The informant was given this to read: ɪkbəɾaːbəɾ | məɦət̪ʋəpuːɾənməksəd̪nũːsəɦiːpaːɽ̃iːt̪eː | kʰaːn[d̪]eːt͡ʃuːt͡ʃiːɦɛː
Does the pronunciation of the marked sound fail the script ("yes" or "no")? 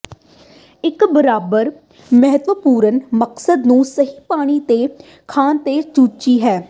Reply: yes